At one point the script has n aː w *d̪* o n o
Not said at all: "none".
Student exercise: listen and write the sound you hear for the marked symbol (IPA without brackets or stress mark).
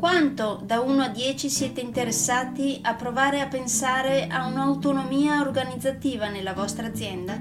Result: t̪